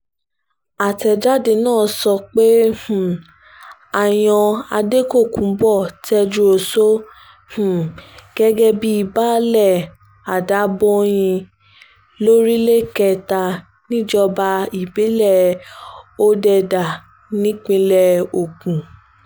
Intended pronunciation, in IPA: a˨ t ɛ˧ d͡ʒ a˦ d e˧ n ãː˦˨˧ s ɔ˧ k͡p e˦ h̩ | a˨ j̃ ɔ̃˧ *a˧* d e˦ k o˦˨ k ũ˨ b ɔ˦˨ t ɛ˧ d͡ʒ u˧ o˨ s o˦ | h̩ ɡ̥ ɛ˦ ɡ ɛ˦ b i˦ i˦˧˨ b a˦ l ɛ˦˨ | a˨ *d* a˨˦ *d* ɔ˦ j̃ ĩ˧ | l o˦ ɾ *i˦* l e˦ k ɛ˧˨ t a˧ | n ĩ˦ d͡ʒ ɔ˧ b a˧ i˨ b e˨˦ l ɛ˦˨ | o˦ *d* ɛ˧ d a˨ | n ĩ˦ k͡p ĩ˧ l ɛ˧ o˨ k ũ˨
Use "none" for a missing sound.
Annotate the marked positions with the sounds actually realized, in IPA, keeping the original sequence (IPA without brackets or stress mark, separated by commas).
a˧, d, b, i˦, d